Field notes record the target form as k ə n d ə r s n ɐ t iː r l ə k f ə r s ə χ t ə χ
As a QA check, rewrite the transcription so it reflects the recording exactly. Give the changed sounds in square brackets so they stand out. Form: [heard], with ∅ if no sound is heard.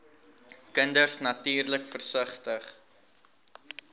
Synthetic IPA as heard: k ə n d ə r s n ɐ t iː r l ə k f ə r s ə χ t ə χ